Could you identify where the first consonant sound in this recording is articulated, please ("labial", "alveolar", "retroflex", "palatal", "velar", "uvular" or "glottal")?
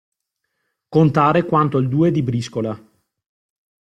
velar